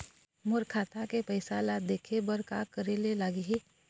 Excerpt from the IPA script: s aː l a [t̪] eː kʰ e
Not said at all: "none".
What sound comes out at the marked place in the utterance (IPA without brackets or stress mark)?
d̪